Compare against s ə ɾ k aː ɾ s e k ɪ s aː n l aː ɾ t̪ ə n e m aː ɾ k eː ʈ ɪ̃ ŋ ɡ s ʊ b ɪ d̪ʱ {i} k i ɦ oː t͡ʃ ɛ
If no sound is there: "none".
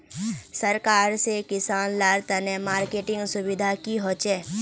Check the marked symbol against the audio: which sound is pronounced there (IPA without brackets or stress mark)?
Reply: a